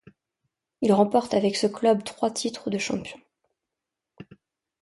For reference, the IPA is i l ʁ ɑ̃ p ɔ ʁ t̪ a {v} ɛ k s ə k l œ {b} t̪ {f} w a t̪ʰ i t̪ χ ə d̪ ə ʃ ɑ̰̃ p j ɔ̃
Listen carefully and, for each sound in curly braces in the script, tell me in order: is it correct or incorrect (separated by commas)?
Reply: correct, correct, incorrect